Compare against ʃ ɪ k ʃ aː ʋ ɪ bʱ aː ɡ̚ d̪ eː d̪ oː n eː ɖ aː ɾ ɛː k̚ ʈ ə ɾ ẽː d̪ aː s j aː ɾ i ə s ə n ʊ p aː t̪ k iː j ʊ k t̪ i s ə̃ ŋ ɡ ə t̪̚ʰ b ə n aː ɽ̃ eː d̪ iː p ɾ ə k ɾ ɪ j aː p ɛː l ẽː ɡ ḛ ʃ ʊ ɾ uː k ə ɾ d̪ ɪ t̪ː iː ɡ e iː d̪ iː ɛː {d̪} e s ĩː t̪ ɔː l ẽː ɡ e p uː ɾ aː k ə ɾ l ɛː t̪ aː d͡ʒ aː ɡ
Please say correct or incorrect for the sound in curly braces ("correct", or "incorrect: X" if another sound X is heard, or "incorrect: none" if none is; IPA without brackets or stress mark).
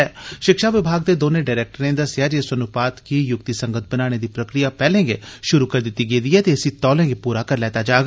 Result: incorrect: t̪